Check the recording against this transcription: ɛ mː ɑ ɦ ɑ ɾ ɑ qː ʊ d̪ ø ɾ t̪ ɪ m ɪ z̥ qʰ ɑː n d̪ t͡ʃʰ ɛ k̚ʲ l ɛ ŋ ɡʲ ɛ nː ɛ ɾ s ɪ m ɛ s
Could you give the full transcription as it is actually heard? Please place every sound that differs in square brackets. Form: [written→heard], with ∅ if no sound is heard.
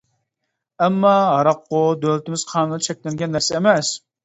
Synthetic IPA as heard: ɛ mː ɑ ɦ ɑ ɾ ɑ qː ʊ d̪ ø [ɾ→l] t̪ ɪ m ɪ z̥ qʰ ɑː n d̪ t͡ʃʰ ɛ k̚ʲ l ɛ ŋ ɡʲ ɛ nː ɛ ɾ s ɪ m ɛ s